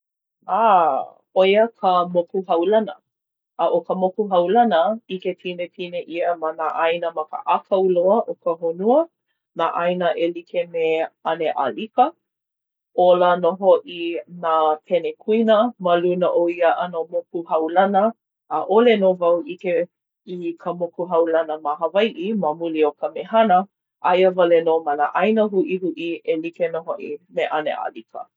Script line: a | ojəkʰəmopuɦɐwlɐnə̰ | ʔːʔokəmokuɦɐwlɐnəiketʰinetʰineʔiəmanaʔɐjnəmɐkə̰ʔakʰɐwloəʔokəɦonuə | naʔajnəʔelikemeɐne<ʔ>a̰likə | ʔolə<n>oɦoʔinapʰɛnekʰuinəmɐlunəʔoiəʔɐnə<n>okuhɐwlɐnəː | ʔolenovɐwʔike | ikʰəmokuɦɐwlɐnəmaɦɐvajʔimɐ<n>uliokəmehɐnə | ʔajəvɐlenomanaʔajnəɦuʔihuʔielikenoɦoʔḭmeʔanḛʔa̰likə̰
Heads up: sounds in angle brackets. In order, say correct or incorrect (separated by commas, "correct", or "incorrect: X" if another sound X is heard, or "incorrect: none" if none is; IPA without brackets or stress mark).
correct, correct, incorrect: m, incorrect: m